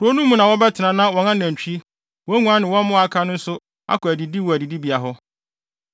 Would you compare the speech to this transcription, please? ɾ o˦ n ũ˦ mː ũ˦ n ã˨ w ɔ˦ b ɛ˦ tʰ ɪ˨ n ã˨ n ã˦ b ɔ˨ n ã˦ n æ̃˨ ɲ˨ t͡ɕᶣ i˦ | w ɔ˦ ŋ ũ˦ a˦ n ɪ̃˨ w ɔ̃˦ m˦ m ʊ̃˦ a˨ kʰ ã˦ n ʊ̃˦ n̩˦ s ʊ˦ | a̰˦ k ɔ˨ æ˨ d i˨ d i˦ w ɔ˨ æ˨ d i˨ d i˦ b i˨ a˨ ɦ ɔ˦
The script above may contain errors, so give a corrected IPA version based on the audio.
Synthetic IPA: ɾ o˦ n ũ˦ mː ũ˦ n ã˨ w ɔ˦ b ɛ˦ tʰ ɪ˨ n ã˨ n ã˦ w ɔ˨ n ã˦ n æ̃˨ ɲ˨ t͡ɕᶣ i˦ | w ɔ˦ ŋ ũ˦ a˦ n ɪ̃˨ w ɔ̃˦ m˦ m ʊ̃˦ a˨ kʰ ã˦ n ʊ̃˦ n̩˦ s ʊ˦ | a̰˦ k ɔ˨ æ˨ d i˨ d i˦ w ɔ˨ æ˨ d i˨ d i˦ b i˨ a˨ ɦ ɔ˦